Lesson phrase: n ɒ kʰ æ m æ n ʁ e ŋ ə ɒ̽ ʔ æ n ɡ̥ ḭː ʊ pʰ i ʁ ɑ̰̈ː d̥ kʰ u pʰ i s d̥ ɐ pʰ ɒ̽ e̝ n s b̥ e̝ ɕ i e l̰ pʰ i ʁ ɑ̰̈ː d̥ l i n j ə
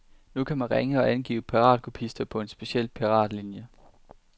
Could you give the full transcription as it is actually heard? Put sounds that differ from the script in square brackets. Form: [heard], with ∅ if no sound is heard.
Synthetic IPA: n [u] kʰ æ m æ n ʁ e ŋ ə ɒ̽ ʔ æ n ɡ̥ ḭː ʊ pʰ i ʁ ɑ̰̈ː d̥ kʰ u pʰ i s d̥ ɐ pʰ ɒ̽ e̝ n s b̥ e̝ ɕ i e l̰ pʰ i ʁ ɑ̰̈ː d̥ l i n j ə